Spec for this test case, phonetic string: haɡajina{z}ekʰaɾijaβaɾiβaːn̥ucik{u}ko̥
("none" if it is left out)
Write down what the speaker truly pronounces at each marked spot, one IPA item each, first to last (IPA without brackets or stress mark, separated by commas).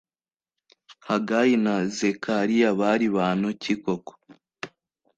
z, o